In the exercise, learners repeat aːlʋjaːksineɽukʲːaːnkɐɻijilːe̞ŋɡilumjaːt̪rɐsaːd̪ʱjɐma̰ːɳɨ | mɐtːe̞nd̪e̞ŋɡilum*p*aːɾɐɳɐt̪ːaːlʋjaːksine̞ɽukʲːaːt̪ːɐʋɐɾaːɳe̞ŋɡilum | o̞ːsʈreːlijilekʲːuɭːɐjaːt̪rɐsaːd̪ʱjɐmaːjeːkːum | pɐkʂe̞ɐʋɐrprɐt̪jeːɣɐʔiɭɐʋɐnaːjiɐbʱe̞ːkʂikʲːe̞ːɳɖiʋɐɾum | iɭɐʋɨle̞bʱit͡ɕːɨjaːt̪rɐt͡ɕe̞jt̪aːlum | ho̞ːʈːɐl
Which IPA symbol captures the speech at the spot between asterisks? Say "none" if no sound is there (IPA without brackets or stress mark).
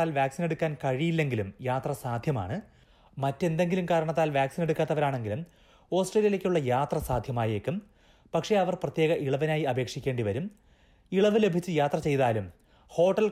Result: k